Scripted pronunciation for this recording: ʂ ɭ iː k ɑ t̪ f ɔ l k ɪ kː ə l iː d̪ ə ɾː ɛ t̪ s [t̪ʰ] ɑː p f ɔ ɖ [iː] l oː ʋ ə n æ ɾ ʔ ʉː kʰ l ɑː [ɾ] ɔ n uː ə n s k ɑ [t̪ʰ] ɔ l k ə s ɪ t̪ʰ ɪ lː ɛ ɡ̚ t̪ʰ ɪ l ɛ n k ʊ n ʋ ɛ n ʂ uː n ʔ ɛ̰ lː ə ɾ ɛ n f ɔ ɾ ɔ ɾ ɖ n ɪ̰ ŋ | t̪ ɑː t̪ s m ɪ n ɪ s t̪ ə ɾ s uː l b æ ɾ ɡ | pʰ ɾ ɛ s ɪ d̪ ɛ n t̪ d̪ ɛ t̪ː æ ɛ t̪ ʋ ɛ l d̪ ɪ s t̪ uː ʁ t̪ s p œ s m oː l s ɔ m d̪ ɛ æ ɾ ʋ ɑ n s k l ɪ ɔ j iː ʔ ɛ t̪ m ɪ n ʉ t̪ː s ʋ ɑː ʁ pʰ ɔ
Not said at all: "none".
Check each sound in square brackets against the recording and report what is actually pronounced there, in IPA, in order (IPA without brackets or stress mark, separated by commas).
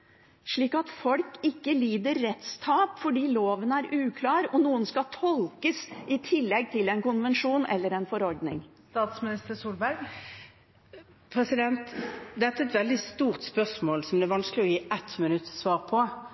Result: t̪ʰ, iː, ɾ, t̪ʰ